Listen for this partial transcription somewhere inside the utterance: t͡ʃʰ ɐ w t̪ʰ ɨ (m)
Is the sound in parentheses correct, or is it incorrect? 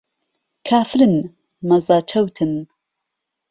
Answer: incorrect